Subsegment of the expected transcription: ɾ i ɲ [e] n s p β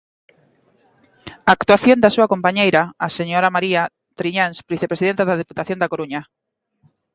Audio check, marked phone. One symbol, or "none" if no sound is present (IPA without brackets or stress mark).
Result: a